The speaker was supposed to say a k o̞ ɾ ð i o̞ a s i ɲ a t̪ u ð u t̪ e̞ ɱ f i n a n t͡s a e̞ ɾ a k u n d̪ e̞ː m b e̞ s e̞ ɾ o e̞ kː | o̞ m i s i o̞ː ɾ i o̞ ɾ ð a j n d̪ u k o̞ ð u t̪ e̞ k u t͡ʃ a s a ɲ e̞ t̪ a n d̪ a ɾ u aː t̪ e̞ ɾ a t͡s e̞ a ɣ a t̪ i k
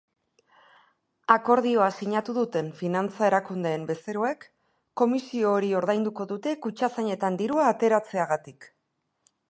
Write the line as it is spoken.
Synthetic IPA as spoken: a k o̞ ɾ ð i o̞ a s i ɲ a t̪ u ð u t̪ e̞ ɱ f i n a n t͡s a e̞ ɾ a k u n d̪ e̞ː m b e̞ s e̞ ɾ o e̞ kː | o̞ m i s i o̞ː ɾ i o̞ ɾ ð a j n d̪ u k o̞ ð u t̪ e̞ k u t͡ʃ a s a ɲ e̞ t̪ a n d̪ i ɾ u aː t̪ e̞ ɾ a t͡s e̞ a ɣ a t̪ i k